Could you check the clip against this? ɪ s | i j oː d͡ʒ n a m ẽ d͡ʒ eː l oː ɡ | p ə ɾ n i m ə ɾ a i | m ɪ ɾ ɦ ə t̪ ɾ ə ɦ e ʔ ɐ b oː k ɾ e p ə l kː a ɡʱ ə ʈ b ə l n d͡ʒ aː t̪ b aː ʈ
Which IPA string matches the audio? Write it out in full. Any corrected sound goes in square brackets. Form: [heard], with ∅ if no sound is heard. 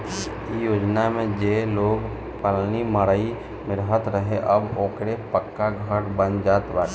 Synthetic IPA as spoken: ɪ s | i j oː d͡ʒ n a m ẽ d͡ʒ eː l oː ɡ | p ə [l] n i m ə ɾ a i | m ɪ ɾ ɦ ə t̪ ɾ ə ɦ e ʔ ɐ b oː k ɾ e p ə [∅] kː a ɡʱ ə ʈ b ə [∅] n d͡ʒ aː t̪ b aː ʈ